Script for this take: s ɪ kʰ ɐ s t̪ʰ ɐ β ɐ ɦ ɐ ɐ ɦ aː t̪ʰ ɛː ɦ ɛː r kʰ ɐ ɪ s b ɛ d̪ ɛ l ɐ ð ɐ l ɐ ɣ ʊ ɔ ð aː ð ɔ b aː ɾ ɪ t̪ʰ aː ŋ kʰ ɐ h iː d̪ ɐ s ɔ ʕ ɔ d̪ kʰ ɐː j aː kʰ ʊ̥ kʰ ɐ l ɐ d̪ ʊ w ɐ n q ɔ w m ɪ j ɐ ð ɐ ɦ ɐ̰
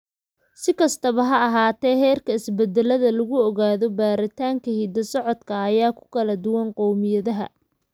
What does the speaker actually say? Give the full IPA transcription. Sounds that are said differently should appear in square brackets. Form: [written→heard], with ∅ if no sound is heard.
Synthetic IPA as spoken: s ɪ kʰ ɐ s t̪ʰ ɐ β ɐ ɦ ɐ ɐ ɦ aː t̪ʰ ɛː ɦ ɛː r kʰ ɐ ɪ s b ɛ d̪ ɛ l ɐ ð ɐ l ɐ ɣ ʊ ɔ [ð→ɣ] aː ð ɔ b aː ɾ ɪ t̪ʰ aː ŋ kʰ ɐ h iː d̪ ɐ s ɔ ʕ ɔ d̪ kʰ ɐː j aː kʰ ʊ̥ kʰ ɐ l ɐ d̪ ʊ w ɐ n q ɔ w m ɪ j ɐ ð ɐ ɦ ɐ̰